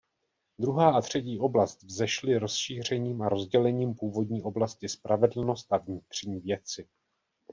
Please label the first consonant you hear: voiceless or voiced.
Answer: voiced